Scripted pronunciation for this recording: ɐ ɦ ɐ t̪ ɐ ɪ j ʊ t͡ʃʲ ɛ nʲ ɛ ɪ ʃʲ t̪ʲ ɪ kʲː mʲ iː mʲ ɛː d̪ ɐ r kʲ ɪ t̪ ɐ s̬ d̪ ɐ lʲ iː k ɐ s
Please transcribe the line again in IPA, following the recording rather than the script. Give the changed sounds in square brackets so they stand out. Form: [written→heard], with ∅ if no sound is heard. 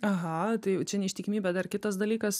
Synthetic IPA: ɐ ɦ ɐ t̪ ɐ ɪ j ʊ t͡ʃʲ ɛ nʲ ɛ ɪ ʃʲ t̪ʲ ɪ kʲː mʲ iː [mʲ→bʲ] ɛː d̪ ɐ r kʲ ɪ t̪ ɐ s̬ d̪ ɐ lʲ iː k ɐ s